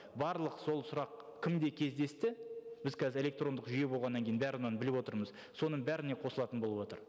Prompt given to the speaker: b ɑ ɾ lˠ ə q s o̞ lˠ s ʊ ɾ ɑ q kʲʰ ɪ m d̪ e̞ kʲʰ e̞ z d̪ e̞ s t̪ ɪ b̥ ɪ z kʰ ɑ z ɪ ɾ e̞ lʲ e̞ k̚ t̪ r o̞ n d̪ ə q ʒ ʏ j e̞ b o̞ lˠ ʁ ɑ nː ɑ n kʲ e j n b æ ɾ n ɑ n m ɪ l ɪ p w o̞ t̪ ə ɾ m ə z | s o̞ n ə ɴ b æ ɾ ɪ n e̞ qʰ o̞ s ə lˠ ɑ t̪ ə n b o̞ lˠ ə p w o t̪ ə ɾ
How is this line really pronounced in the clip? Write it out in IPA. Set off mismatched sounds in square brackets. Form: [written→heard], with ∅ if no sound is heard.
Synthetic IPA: b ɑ ɾ lˠ ə q s o̞ lˠ s ʊ ɾ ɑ q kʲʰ ɪ m d̪ e̞ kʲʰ e̞ z d̪ e̞ s t̪ ɪ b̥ ɪ z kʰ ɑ z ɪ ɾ e̞ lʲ e̞ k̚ t̪ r o̞ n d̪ ə q ʒ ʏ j e̞ b o̞ lˠ ʁ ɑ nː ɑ [n→ŋ] kʲ e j n b æ ɾ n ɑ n [m→b] ɪ l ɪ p w o̞ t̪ ə ɾ m ə z | s o̞ n ə ɴ b æ ɾ ɪ n e̞ qʰ o̞ s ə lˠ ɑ t̪ ə n b o̞ lˠ ə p w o t̪ ə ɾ